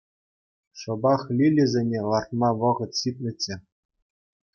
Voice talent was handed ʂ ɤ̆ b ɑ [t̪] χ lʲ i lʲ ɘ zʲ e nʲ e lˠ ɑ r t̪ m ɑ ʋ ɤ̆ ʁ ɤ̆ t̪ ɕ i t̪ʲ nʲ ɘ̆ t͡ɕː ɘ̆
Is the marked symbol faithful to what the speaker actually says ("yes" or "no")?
no